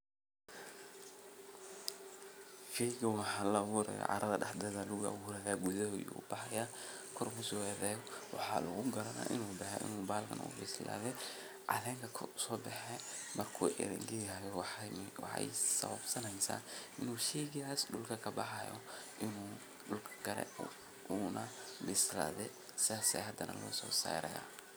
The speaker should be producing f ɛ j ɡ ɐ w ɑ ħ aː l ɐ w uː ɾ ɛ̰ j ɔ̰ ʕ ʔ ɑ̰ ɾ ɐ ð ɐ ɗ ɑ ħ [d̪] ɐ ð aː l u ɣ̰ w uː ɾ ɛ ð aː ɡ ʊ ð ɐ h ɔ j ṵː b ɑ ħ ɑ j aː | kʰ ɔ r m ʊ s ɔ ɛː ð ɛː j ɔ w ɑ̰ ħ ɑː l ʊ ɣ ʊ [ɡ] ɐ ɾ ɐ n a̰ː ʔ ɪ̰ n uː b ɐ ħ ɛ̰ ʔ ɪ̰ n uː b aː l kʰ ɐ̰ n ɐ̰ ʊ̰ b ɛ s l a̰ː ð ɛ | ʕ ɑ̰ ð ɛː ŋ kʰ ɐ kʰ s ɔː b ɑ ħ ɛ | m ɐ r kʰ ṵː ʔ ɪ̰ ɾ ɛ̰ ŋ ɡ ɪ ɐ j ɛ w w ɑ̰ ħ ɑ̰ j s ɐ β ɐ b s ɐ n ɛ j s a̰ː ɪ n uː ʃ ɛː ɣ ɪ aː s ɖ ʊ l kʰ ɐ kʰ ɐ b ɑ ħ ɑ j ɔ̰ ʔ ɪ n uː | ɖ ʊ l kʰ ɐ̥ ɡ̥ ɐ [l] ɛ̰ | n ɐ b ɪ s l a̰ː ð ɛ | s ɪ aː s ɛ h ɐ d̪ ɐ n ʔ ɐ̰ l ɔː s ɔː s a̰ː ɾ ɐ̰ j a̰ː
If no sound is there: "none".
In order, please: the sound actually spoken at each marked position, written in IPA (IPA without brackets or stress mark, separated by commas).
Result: d̪, ɡ, ɾ